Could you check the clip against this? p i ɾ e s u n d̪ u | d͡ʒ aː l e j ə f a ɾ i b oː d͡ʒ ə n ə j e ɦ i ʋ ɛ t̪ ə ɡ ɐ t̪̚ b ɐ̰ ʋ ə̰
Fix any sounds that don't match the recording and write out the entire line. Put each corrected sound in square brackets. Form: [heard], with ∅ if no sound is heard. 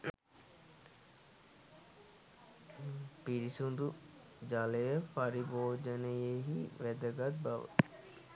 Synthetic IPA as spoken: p i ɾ [i] s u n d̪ u | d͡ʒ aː l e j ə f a ɾ i b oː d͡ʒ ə n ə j e ɦ i ʋ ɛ [d̪] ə ɡ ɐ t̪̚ b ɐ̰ ʋ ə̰